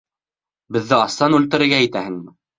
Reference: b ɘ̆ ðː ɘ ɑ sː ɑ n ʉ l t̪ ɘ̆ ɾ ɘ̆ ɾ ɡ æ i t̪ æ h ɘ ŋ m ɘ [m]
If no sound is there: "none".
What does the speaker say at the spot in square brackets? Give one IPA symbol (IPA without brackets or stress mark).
none